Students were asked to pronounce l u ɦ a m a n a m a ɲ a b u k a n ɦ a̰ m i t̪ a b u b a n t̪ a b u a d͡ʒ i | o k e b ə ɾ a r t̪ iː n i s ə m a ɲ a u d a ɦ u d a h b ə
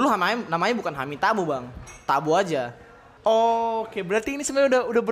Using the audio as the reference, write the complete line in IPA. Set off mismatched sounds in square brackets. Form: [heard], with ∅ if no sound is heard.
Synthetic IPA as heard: l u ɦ a m a n a m a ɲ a b u k a n ɦ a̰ m i t̪ a b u b a [ŋ] t̪ a b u a d͡ʒ [a] | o k e b ə ɾ a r t̪ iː n i s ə m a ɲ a u d a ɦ u d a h b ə